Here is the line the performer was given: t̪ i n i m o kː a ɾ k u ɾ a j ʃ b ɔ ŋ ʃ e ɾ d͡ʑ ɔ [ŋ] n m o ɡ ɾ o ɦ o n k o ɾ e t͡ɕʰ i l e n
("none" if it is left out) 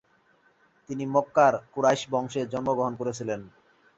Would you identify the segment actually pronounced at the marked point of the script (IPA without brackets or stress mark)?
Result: none